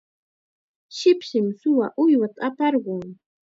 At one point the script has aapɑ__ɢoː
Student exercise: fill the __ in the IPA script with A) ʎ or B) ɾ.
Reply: B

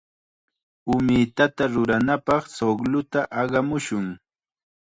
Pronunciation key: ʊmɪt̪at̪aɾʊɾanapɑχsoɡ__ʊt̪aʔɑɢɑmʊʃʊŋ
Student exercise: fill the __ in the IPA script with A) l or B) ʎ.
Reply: A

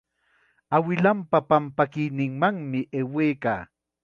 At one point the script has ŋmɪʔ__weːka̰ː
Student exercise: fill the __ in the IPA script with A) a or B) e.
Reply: B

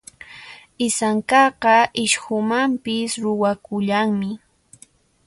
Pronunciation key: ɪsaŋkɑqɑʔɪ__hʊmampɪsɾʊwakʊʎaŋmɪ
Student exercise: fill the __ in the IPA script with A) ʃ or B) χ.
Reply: A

